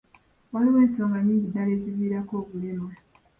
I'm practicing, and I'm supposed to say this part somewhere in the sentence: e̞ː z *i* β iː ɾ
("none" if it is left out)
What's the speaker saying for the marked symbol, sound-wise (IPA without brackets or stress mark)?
i